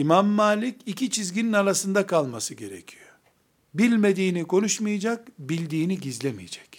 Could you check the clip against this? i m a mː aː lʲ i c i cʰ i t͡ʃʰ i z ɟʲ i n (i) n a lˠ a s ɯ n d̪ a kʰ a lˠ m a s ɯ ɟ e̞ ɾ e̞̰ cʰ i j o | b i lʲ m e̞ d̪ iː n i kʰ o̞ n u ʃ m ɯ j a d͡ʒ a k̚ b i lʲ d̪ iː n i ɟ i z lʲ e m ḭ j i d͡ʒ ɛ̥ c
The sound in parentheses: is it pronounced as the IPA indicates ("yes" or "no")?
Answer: yes